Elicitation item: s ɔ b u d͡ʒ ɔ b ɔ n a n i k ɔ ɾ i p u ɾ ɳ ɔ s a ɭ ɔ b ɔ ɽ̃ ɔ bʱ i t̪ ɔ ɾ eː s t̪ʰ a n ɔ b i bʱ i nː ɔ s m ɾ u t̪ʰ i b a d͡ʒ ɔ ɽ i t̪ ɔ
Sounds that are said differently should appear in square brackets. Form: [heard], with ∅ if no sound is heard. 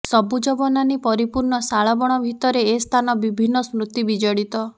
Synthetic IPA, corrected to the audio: s ɔ b u d͡ʒ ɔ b ɔ n a n i [p] ɔ ɾ i p u ɾ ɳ ɔ s a ɭ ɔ b ɔ ɽ̃ ɔ bʱ i t̪ ɔ ɾ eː s t̪ʰ a n ɔ b i bʱ i nː ɔ s m ɾ u [t̪] i b [i] d͡ʒ ɔ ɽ i t̪ ɔ